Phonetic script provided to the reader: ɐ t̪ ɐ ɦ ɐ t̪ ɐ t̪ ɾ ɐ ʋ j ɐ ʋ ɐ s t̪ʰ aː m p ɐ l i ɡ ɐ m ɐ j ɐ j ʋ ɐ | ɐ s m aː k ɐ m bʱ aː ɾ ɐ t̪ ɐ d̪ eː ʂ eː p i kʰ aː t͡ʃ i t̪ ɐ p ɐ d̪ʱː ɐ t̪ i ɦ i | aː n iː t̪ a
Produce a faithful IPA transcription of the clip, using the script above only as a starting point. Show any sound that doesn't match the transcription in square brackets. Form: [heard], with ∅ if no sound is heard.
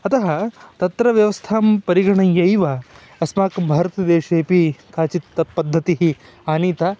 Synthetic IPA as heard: ɐ t̪ ɐ ɦ ɐ t̪ ɐ t̪ ɾ ɐ ʋ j ɐ ʋ ɐ s t̪ʰ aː m p ɐ [ɾ] i ɡ ɐ [ɳ] ɐ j ɐ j ʋ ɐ | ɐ s m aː k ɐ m bʱ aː ɾ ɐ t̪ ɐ d̪ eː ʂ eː p i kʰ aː t͡ʃ i t̪ ɐ p ɐ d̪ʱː ɐ t̪ i ɦ i | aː n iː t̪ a